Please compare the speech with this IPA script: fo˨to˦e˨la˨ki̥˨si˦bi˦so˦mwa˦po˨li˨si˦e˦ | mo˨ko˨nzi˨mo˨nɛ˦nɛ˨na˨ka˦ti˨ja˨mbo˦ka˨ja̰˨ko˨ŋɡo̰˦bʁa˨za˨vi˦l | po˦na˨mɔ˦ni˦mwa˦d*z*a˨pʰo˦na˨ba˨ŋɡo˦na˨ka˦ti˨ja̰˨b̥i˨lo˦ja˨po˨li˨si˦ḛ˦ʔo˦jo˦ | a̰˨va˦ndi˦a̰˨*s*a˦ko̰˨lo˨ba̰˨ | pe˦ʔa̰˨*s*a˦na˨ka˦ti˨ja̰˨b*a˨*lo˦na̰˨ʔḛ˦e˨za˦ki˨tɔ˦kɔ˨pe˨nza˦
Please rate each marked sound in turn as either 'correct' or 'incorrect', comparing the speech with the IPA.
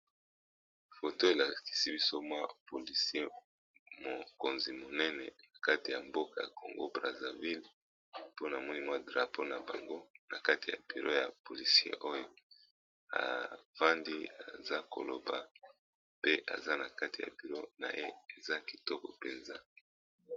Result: incorrect: ʁ, incorrect: z, incorrect: z, incorrect: i˨

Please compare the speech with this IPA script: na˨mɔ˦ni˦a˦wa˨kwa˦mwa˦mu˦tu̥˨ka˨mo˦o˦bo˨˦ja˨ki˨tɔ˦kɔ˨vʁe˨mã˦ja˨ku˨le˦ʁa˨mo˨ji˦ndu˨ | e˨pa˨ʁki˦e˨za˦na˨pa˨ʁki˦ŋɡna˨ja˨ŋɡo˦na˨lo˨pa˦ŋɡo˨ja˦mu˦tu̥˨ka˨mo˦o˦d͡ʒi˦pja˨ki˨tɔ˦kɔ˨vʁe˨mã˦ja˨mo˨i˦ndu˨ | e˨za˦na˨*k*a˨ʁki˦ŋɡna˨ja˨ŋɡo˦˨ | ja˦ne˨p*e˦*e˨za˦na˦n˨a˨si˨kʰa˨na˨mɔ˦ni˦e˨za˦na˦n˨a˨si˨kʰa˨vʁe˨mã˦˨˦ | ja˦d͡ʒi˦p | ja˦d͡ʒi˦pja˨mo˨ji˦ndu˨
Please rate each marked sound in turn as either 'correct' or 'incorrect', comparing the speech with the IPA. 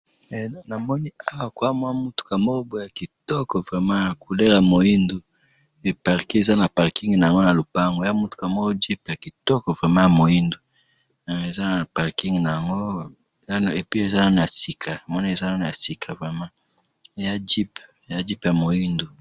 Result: incorrect: p, incorrect: i˦

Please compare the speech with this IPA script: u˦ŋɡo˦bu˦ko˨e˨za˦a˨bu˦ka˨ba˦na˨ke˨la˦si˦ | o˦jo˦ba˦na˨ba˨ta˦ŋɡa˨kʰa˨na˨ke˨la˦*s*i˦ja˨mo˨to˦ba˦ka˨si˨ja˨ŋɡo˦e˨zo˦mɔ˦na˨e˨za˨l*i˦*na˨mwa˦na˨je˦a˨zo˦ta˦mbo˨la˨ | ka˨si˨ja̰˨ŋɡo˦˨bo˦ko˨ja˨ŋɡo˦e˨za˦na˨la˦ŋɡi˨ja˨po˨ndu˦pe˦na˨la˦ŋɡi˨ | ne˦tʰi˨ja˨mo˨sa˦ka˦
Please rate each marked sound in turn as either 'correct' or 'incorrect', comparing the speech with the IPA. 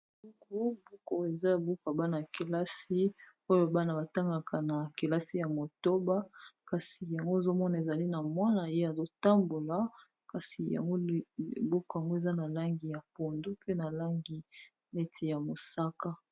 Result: correct, correct

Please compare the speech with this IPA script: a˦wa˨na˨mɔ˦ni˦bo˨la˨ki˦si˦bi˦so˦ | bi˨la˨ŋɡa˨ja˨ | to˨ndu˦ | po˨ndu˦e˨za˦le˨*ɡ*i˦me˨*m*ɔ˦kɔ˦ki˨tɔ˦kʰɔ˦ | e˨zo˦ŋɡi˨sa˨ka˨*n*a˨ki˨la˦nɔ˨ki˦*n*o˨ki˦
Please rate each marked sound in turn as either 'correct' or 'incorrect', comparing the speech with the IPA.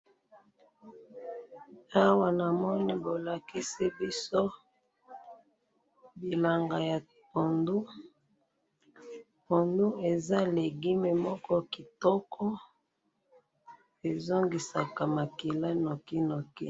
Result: correct, correct, incorrect: m, correct

